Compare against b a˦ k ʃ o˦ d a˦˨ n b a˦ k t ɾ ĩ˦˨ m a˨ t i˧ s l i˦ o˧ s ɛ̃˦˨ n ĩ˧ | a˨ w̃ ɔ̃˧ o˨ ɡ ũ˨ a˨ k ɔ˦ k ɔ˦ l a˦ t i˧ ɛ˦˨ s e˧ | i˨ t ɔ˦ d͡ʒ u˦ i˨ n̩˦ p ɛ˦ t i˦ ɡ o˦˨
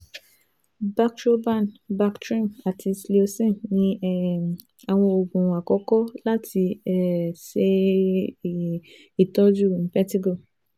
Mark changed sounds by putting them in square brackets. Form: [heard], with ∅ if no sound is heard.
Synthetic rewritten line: b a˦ k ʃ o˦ [b] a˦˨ n b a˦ k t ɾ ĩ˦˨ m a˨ t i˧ s l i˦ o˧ s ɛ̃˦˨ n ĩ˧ | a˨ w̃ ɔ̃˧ o˨ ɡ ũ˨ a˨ k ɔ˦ k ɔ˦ l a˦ t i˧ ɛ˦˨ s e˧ | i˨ t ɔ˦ d͡ʒ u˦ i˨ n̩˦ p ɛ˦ t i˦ ɡ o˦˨